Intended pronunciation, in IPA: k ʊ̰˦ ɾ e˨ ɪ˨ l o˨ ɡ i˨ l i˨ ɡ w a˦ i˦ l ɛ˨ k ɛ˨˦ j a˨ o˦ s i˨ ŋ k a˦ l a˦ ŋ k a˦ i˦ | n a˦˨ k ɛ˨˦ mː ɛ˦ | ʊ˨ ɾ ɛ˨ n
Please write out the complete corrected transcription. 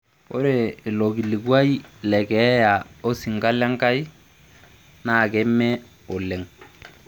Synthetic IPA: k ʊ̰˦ ɾ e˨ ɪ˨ l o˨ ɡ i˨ l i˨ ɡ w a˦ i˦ l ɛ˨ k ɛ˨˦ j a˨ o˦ s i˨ ŋ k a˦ l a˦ ŋ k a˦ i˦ | n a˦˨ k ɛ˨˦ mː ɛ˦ | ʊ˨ l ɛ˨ ŋ